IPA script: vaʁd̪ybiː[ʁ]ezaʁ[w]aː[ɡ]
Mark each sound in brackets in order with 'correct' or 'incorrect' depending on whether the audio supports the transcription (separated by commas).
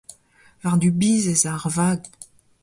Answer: incorrect, incorrect, correct